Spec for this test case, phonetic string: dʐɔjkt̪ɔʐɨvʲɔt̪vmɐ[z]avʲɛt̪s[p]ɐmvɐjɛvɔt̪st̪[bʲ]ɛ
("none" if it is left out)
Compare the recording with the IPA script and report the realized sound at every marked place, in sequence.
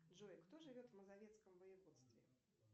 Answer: z, k, vʲ

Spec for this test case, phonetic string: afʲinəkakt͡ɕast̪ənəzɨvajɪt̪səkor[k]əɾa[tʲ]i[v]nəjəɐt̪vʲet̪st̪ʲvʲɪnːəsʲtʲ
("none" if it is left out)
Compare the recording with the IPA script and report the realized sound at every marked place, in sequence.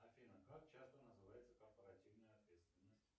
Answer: p, tʲ, v

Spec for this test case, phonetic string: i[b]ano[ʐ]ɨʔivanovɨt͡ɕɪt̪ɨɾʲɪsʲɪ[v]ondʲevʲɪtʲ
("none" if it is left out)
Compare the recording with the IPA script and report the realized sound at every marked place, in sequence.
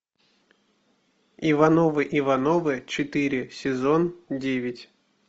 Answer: v, v, z

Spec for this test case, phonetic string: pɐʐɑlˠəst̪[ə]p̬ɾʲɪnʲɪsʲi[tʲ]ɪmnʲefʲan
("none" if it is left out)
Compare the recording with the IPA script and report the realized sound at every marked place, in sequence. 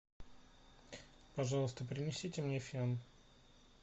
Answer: ə, tʲ

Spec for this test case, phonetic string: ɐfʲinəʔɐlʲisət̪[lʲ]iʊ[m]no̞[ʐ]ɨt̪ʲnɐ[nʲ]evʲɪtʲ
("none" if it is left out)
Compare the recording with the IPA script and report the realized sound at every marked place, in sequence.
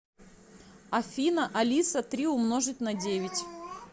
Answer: ɾʲ, m, ʐ, dʲ

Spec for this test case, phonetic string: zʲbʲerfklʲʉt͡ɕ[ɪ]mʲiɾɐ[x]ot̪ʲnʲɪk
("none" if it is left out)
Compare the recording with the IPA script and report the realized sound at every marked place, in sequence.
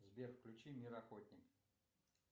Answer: i, x

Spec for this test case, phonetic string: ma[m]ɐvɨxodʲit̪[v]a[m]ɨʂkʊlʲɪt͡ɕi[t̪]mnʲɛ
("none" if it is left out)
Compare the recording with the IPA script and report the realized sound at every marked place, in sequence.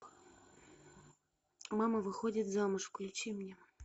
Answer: m, z, m, none

